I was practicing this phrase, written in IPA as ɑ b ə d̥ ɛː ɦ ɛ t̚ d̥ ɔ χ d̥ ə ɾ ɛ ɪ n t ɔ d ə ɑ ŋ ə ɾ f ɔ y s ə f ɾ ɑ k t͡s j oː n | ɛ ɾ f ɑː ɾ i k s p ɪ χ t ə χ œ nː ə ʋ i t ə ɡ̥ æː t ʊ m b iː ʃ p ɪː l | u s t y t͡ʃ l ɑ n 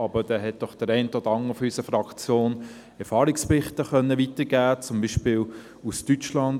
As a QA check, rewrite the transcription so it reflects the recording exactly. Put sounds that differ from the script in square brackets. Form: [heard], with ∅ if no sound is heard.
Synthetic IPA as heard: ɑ b ə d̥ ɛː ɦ ɛ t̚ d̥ ɔ χ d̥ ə ɾ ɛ ɪ n t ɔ d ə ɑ ŋ ə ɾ f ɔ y s ə f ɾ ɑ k t͡s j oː n | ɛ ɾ f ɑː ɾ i k s p ɪ χ t ə χ œ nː ə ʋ i t ə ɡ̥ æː [t͡s] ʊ m b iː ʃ p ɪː l | u s t y t͡ʃ l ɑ n